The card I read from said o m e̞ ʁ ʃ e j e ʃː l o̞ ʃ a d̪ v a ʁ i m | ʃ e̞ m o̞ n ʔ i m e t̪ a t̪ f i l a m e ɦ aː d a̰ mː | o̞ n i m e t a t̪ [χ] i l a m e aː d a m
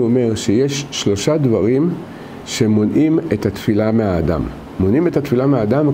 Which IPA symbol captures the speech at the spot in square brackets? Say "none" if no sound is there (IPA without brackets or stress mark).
f